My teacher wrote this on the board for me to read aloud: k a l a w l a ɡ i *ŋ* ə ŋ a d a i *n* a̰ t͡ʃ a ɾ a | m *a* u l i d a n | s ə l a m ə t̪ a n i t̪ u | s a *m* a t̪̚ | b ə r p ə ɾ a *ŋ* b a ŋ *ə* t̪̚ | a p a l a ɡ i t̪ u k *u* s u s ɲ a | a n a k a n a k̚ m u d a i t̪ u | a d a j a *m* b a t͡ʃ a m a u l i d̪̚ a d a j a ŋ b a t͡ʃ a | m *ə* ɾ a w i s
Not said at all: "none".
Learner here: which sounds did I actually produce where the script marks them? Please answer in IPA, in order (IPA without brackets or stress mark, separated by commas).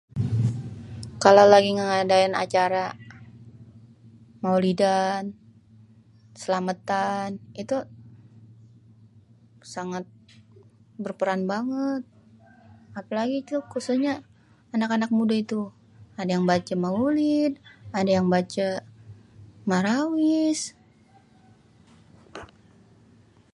ŋ, n, a, ŋ, n, ə, u, ŋ, a